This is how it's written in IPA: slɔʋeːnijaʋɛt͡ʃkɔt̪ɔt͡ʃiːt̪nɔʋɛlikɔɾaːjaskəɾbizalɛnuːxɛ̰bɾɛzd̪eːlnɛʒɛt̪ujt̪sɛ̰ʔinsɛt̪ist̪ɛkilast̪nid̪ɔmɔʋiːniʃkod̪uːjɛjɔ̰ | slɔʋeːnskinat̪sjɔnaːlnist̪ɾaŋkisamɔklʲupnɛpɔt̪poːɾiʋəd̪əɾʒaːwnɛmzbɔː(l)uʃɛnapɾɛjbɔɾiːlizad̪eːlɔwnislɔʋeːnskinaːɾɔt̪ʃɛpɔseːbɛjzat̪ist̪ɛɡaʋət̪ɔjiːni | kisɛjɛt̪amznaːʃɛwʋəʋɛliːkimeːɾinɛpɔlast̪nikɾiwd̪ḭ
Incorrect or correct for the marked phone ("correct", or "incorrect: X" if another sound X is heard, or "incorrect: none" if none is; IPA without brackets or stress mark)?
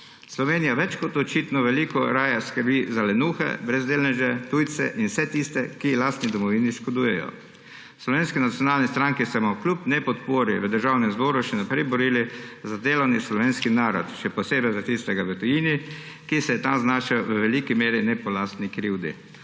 incorrect: ɾ